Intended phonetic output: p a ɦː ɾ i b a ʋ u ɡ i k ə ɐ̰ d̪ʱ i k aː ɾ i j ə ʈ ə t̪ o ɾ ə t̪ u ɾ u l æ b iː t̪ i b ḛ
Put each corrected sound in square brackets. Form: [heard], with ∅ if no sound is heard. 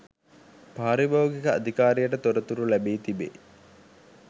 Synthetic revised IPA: p a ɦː ɾ i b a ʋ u ɡ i k ə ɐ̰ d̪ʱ i k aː ɾ i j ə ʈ ə t̪ o ɾ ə t̪ u ɾ u l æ b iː t̪ i b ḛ